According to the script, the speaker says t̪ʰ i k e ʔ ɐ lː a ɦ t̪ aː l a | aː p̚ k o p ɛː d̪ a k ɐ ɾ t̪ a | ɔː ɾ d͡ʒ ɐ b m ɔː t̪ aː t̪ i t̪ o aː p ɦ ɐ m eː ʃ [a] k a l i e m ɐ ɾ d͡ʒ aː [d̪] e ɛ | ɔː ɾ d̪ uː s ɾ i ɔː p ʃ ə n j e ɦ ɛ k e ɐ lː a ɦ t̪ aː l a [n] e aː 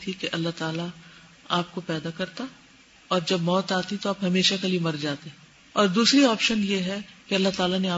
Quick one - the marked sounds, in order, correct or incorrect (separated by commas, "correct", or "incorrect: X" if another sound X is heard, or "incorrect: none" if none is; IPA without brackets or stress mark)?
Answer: correct, incorrect: t̪, correct